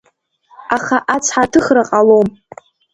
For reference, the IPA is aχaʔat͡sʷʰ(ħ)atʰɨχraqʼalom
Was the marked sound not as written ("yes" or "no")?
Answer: no